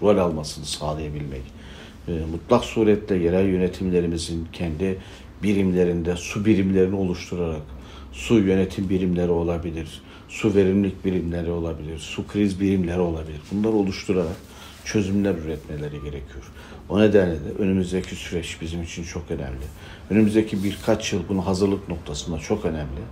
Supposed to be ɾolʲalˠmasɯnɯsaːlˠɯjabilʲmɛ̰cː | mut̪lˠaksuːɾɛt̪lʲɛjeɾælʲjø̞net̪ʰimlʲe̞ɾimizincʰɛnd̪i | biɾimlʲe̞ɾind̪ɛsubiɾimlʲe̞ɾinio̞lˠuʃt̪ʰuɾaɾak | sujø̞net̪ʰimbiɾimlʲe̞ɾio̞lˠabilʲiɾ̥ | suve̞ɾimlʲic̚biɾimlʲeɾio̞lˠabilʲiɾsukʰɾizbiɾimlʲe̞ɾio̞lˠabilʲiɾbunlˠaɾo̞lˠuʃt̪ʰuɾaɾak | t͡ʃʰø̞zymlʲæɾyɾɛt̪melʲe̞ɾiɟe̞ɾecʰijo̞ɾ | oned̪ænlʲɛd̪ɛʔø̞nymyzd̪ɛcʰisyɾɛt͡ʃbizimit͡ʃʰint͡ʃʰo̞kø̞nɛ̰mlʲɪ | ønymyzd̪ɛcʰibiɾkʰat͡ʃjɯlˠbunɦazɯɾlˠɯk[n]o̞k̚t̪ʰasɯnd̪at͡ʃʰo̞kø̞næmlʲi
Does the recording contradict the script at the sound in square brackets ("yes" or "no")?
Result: no